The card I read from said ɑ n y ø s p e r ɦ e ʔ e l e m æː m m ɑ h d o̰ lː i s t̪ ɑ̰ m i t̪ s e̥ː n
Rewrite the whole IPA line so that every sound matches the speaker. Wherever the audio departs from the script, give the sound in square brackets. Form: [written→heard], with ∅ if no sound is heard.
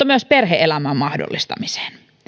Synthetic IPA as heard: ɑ [n→m] y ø s p e r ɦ e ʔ e l [e→æ] m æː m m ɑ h d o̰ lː i s t̪ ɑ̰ m i [t̪→∅] s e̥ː n

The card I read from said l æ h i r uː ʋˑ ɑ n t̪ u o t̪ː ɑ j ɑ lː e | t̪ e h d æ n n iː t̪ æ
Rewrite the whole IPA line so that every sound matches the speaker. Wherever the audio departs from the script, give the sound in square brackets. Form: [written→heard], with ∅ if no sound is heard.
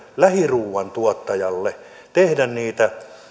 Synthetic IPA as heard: l æ h i r uː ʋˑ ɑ n t̪ u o t̪ː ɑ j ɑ lː e | t̪ e h d æ n n iː t̪ æ

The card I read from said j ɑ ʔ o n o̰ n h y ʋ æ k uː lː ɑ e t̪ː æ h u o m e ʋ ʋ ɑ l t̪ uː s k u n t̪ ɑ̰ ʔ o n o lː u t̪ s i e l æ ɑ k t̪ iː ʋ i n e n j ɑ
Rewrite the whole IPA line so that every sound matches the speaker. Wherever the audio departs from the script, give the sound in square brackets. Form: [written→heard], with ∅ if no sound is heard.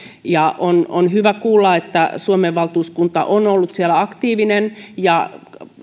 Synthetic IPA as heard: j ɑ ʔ o n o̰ n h y ʋ æ k uː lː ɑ e t̪ː æ [h→s] u o m e ʋ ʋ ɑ l t̪ uː s k u n t̪ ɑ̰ ʔ o n o lː u t̪ s i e l æ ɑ k t̪ iː ʋ i n e n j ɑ

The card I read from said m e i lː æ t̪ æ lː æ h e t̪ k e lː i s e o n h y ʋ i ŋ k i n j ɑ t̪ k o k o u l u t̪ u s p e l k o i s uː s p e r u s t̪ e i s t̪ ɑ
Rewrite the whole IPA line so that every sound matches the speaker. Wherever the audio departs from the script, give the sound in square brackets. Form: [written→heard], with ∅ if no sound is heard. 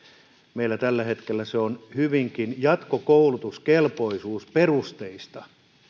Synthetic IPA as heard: m e i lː æ t̪ æ lː æ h e t̪ k e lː [i→æ] s e o n h y ʋ i ŋ k i n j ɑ t̪ k o k o u l u t̪ u s [p→k] e l [k→p] o i s uː s p e r u s t̪ e i s t̪ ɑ

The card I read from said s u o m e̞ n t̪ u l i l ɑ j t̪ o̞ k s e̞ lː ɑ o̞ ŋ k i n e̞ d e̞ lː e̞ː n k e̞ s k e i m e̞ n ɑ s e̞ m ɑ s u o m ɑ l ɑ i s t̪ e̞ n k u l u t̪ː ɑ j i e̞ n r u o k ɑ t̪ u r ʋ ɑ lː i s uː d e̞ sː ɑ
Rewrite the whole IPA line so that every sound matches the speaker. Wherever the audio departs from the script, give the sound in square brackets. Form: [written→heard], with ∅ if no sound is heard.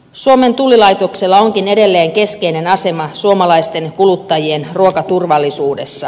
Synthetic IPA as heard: s u o m e̞ n t̪ u l i l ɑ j t̪ o̞ k s e̞ lː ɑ o̞ ŋ k i n e̞ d e̞ lː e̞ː [n→ŋ] k e̞ s k e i [m→n] e̞ n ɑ s e̞ m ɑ s u o m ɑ l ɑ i s t̪ e̞ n k u l u t̪ː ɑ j i e̞ n r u o k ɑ t̪ u r ʋ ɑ lː i s uː d e̞ sː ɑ

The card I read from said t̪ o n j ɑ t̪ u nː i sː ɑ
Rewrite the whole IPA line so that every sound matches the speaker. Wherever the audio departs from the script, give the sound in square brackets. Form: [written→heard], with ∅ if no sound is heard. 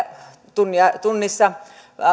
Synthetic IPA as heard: t̪ [o→u] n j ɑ t̪ u nː i sː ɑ

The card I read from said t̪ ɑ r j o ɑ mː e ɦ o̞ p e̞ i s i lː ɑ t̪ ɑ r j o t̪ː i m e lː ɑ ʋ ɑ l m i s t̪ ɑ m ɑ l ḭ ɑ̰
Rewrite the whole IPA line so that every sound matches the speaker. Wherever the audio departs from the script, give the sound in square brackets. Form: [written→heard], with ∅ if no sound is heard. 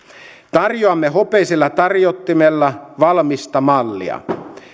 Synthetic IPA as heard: t̪ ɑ r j o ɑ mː e ɦ o̞ p e̞ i s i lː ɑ t̪ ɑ r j o t̪ː i m e lː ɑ ʋ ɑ l m i s t̪ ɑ m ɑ [l→lː] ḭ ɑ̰

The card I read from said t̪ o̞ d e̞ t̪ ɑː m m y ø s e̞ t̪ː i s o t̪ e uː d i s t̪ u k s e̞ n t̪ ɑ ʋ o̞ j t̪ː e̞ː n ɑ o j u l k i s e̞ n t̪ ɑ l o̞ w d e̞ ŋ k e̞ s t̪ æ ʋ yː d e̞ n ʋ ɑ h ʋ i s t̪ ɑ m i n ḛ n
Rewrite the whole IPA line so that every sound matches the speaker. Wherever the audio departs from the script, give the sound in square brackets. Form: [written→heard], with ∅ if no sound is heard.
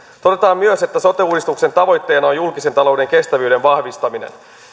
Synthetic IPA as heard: t̪ o̞ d e̞ t̪ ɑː m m y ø s e̞ t̪ː [i→æ] s o t̪ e uː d i s t̪ u k s e̞ n t̪ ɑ ʋ o̞ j t̪ː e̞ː n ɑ o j u l k i s e̞ n t̪ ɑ l o̞ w d e̞ ŋ k e̞ s t̪ æ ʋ yː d e̞ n ʋ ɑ h ʋ i s t̪ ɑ m i n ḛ n

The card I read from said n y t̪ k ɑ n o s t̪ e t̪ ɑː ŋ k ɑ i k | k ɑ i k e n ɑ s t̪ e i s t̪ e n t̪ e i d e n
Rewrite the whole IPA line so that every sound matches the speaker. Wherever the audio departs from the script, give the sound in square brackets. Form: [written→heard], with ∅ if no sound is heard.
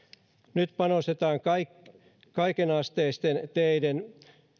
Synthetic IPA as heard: n y t̪ [k→p] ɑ n o s t̪ e t̪ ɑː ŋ k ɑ i k | k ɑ i k e n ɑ s t̪ e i s t̪ e n t̪ e i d e n

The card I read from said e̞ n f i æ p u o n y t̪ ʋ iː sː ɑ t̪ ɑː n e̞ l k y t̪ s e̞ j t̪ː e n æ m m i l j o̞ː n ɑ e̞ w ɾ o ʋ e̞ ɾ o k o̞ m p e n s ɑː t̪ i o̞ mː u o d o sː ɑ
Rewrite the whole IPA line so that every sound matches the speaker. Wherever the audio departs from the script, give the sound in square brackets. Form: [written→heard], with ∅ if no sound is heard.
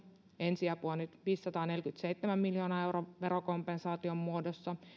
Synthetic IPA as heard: e̞ n [f→s] i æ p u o n y t̪ ʋ iː sː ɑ t̪ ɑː n e̞ l k y t̪ s e̞ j t̪ː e [n→m] æ m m i l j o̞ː n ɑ e̞ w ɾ o ʋ e̞ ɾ o k o̞ m p e n s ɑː t̪ i o̞ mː u o d o sː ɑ

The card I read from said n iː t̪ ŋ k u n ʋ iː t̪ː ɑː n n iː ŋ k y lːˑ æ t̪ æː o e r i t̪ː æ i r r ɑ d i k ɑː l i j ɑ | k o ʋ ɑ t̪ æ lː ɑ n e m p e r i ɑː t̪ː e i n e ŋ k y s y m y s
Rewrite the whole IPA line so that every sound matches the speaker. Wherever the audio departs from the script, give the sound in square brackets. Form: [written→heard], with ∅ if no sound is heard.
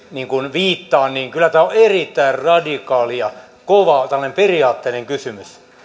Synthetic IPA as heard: n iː [t̪→∅] ŋ k u n ʋ iː t̪ː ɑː n n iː ŋ k y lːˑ æ t̪ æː o e r i t̪ː æ i r r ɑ d i k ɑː l i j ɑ | k o ʋ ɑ t̪ æ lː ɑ n e m p e r i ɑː t̪ː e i n e ŋ k y s y m y s

